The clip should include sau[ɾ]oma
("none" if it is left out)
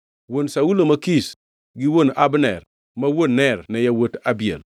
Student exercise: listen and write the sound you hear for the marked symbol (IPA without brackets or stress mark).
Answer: l